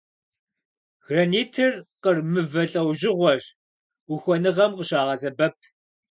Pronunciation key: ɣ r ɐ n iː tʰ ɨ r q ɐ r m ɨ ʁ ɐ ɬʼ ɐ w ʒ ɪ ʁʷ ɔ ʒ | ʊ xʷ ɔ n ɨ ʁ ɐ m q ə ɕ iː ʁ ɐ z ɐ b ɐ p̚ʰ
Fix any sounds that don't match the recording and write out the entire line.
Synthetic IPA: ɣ r ɐ n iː tʰ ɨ r q ə r m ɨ v ɐ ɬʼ ɐ w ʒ ɪ ʁʷ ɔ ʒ | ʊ xʷ ɔ n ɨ ʁ ɐ m q ə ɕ aː ʁ ɐ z ɐ b ɐ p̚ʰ